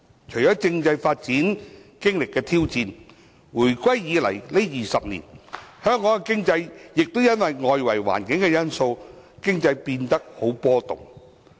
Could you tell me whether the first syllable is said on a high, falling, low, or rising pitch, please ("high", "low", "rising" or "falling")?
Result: low